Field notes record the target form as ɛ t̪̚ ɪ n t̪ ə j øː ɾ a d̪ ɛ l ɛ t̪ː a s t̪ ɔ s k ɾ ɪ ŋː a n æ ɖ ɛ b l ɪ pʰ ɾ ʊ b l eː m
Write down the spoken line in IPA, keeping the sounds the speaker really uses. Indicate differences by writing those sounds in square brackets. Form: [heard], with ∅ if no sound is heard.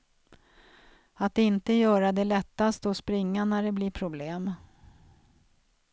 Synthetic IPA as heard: [a] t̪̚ ɪ n t̪ ə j [œː] ɾ a d̪ ɛ l ɛ t̪ː a s t̪ ɔ s [p] ɾ ɪ ŋː a n æ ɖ ɛ b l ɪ pʰ ɾ ʊ b l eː m